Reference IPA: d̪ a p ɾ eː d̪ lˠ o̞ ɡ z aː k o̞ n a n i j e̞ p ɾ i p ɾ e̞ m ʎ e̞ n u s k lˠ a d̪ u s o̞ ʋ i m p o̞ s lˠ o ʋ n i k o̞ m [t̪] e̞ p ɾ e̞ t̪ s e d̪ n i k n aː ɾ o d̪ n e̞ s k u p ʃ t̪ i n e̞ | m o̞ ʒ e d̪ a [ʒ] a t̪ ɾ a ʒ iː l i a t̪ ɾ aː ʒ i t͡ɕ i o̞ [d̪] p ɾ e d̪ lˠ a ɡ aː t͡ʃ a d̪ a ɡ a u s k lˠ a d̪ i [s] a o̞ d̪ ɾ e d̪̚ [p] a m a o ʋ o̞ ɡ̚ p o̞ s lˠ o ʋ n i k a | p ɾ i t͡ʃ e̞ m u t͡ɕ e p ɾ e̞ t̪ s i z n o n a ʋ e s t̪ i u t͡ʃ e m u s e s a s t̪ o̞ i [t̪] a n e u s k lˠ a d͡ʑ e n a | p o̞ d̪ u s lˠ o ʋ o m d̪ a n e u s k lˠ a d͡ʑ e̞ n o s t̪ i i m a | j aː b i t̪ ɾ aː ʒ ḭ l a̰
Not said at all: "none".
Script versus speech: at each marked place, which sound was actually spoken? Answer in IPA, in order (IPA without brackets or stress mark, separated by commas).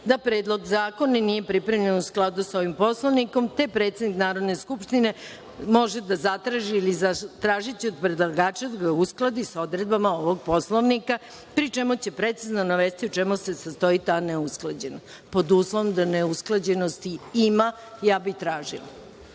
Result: t̪, z, d̪, s, b, t̪